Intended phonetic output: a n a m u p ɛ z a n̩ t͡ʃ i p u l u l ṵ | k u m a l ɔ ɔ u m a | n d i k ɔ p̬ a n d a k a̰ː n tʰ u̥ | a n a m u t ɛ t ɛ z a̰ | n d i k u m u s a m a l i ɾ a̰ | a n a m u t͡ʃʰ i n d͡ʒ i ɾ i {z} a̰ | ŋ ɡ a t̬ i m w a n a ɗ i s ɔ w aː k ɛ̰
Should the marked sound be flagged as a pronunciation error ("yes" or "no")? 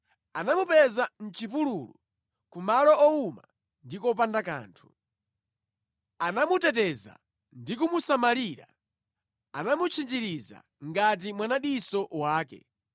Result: no